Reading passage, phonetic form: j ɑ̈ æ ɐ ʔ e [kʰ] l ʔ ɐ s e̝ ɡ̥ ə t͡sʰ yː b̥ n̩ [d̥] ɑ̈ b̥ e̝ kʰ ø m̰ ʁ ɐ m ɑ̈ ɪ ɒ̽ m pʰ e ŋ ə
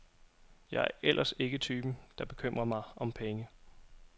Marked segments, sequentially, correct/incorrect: incorrect: none, correct

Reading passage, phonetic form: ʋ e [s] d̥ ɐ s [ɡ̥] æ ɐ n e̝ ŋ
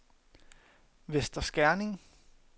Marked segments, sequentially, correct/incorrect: correct, correct

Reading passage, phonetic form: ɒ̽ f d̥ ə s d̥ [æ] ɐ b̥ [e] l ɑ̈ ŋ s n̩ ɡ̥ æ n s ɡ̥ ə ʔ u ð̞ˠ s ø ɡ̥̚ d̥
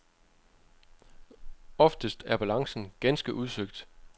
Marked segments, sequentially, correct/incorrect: correct, incorrect: æ

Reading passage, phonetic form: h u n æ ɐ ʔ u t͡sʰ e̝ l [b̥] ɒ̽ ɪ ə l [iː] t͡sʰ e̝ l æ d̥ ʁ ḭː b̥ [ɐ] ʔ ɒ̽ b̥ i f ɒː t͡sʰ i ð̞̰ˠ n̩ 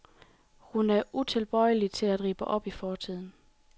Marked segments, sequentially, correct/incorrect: correct, incorrect: i, incorrect: ə

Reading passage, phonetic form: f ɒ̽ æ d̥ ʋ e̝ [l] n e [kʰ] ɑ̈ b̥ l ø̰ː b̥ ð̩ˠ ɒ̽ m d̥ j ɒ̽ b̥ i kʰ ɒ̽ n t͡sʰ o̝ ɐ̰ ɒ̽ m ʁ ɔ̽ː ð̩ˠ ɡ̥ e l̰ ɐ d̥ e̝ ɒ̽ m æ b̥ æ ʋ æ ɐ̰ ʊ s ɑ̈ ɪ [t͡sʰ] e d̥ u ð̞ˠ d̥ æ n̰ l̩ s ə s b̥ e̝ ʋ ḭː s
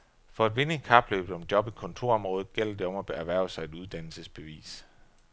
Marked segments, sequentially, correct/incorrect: incorrect: none, correct, incorrect: none

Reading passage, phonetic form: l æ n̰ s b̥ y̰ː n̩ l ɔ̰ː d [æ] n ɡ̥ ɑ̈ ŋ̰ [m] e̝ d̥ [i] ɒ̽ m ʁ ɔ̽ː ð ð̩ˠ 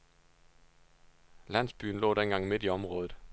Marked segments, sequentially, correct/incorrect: incorrect: e, correct, correct

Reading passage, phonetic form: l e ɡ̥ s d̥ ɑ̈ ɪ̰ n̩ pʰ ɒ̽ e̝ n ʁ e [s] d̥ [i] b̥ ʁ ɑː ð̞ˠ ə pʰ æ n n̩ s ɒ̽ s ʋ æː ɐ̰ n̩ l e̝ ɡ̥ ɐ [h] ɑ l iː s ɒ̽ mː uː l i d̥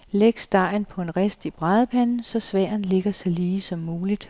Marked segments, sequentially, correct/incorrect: correct, correct, incorrect: s

